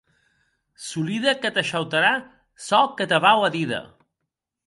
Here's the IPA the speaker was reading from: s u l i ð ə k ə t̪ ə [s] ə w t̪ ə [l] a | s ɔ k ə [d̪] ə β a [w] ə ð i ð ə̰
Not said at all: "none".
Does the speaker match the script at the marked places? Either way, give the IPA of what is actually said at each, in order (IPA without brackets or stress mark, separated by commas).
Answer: ʃ, ɾ, t̪, w